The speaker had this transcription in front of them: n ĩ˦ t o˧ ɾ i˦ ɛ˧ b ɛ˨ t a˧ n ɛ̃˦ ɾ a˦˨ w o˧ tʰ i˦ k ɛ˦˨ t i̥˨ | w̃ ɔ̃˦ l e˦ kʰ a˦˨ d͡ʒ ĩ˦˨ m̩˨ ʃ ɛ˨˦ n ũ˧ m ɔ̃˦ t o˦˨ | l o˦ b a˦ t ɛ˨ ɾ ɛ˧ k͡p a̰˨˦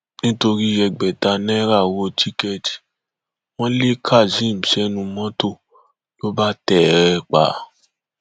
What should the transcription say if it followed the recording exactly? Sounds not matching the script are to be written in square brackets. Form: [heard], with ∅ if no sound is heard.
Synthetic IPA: n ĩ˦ t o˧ ɾ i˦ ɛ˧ [ɡ͡b] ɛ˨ t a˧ n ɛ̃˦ ɾ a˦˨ w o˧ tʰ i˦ k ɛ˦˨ t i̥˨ | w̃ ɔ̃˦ l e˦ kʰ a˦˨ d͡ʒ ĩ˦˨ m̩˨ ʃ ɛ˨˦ n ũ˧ m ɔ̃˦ t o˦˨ | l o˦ b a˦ t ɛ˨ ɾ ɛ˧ k͡p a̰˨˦

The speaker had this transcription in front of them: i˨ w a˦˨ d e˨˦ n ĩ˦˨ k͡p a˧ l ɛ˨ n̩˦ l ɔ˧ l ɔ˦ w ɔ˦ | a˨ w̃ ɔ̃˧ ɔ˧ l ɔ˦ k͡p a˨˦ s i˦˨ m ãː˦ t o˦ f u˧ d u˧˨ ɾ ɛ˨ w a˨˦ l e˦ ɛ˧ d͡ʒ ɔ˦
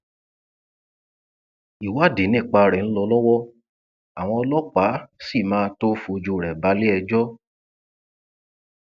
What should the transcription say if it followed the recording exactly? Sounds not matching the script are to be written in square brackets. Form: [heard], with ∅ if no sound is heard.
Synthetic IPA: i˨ w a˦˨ d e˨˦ n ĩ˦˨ k͡p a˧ [ɾ] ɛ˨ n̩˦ l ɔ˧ l ɔ˦ w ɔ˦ | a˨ w̃ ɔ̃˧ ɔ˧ l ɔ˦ k͡p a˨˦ s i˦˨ m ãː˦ t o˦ f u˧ [d͡ʒ] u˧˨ ɾ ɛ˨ [b] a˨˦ l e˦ ɛ˧ d͡ʒ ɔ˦

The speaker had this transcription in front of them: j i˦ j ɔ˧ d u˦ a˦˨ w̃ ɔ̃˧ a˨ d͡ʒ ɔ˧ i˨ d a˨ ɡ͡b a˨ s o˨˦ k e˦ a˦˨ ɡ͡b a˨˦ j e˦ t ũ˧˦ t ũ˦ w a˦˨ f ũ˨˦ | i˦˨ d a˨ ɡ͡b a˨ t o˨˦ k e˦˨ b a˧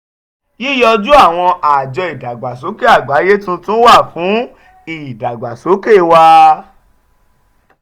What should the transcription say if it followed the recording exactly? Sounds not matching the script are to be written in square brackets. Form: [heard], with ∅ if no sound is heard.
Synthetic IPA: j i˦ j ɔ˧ [d͡ʒ] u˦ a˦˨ w̃ ɔ̃˧ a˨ d͡ʒ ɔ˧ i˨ d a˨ ɡ͡b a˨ s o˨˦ k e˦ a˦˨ ɡ͡b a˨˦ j e˦ t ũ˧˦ t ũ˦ w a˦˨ f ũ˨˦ | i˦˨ d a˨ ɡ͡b a˨ [s] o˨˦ k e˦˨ [w] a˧

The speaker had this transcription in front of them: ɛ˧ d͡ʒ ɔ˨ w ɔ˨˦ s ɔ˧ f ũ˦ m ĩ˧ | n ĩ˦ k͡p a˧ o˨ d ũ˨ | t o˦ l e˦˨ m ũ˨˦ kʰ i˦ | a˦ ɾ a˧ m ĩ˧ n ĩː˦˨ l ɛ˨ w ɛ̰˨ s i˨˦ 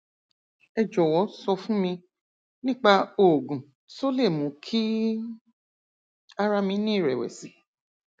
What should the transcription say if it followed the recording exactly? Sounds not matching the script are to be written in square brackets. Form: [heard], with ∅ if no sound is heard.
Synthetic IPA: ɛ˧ d͡ʒ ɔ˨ w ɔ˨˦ s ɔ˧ f ũ˦ m ĩ˧ | n ĩ˦ k͡p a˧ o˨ [ɡ] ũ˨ | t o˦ l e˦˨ m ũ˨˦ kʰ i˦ | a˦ ɾ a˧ m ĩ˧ n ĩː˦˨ [ɾ] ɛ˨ w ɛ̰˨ s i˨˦

